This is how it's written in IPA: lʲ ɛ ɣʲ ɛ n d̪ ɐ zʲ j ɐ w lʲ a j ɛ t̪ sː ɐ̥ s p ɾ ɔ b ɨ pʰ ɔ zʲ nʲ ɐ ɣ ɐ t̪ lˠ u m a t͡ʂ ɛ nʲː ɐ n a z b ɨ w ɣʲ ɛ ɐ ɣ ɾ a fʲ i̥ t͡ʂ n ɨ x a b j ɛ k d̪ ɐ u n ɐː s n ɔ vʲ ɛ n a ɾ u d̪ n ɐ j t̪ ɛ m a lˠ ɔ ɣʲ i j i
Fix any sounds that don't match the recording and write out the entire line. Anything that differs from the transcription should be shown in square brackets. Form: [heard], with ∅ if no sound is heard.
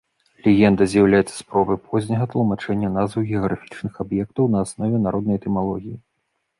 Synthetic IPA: lʲ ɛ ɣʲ ɛ n d̪ ɐ zʲ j ɐ w lʲ a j ɛ t̪ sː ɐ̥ s p ɾ ɔ b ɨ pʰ ɔ zʲ nʲ ɐ ɣ ɐ t̪ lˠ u m a t͡ʂ ɛ nʲː ɐ n a z [v] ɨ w ɣʲ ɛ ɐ ɣ ɾ a fʲ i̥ t͡ʂ n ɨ x a b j ɛ k [t̪] ɐ [w] n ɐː s n ɔ vʲ ɛ n a ɾ [ɔ] d̪ n ɐ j t̪ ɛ m a lˠ ɔ ɣʲ i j i

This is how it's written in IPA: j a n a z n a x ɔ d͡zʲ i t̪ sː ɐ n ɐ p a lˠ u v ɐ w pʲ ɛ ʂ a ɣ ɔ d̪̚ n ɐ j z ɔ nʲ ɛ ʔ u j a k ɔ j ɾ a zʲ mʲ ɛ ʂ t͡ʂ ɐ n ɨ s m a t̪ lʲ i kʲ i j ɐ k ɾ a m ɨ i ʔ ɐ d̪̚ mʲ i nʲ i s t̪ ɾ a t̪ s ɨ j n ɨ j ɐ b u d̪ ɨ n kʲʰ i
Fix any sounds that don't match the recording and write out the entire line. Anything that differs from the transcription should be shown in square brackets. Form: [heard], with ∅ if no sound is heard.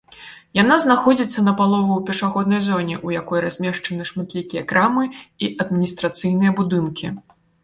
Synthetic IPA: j a n a z n a x ɔ d͡zʲ i t̪ sː ɐ n ɐ p a lˠ [ɔ] v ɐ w pʲ ɛ ʂ a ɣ ɔ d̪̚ n ɐ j z ɔ nʲ ɛ ʔ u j a k ɔ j ɾ a zʲ mʲ ɛ ʂ t͡ʂ ɐ n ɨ [ʂ] m a t̪ lʲ i kʲ i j ɐ k ɾ a m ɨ i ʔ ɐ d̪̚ mʲ i nʲ i s t̪ ɾ a t̪ s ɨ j n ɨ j ɐ b u d̪ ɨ n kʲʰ i

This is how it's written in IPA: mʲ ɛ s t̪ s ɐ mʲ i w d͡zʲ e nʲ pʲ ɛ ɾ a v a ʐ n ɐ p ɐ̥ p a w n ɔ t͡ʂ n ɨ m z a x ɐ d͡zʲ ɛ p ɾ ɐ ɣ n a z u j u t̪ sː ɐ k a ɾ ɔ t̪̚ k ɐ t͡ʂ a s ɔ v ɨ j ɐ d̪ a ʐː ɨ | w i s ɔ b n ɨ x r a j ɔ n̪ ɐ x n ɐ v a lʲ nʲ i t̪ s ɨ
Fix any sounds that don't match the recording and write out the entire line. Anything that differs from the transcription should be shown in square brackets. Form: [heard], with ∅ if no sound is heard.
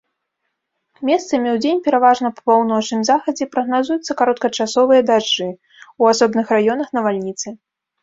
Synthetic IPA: mʲ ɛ s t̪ s ɐ mʲ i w d͡zʲ e nʲ pʲ ɛ ɾ a v a ʐ n ɐ p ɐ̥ p a w n ɔ t͡ʂ n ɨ m z a x ɐ d͡zʲ ɛ p ɾ ɐ ɣ n a z u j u t̪ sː ɐ k a ɾ ɔ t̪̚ k ɐ t͡ʂ a s ɔ v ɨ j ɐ d̪ a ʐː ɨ | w [a] s ɔ b n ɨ x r a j ɔ n̪ ɐ x n ɐ v a lʲ nʲ i t̪ s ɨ

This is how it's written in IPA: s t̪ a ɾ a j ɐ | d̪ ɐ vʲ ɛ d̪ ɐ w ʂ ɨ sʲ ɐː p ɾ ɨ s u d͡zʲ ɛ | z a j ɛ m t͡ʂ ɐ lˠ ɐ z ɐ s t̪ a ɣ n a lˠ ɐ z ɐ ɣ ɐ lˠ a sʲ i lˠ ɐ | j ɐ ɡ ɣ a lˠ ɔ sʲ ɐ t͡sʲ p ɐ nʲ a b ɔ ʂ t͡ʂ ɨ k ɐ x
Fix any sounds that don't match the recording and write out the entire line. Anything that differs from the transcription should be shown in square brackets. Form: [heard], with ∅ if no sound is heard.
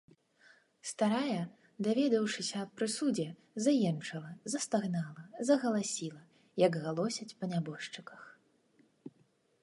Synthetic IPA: s t̪ a ɾ a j ɐ | d̪ [a] vʲ ɛ d̪ ɐ w ʂ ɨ sʲ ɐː p ɾ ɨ s u d͡zʲ ɛ | z a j ɛ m t͡ʂ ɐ lˠ ɐ z ɐ s t̪ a ɣ n a lˠ ɐ z ɐ ɣ ɐ lˠ a sʲ i lˠ ɐ | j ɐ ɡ ɣ a lˠ ɔ sʲ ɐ t͡sʲ p ɐ nʲ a b ɔ ʂ t͡ʂ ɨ k ɐ x

